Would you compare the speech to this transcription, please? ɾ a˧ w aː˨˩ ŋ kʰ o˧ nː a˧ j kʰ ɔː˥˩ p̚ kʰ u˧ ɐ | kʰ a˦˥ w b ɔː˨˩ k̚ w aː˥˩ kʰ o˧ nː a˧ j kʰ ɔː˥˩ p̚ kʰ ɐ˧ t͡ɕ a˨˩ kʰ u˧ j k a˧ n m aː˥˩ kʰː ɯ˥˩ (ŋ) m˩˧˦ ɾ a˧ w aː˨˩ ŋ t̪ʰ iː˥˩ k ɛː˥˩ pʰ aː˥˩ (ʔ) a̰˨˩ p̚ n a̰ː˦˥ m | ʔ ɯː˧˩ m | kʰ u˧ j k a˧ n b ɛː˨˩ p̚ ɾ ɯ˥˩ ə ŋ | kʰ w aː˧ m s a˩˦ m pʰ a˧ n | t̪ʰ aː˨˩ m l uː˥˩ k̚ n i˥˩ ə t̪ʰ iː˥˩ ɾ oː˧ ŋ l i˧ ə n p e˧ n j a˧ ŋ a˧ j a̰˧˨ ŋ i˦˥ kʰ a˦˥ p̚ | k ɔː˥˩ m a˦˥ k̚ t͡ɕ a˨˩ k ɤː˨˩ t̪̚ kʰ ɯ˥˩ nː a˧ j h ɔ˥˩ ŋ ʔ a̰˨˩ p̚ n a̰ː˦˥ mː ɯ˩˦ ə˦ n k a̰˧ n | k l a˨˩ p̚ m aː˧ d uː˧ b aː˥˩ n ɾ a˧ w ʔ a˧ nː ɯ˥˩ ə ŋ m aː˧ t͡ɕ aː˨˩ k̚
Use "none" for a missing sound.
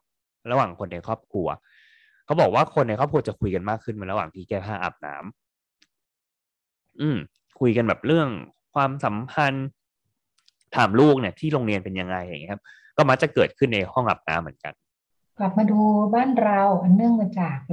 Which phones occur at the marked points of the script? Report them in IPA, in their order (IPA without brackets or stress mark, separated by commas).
n, ʔ